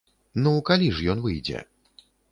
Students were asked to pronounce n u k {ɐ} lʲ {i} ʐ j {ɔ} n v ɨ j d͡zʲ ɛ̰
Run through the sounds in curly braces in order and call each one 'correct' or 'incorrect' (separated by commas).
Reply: incorrect, correct, correct